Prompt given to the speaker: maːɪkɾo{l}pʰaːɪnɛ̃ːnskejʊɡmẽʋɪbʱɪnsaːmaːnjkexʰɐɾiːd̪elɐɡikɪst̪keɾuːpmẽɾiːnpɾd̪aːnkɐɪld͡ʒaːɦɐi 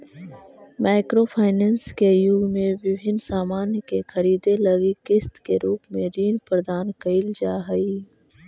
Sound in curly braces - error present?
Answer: yes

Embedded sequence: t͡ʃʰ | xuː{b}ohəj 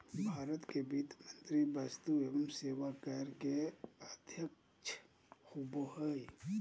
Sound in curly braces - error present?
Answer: no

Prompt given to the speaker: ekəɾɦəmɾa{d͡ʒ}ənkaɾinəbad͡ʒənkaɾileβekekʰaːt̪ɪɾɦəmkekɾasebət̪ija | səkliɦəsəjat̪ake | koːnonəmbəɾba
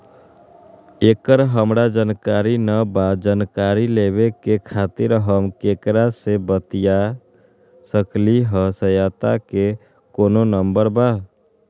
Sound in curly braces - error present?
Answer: no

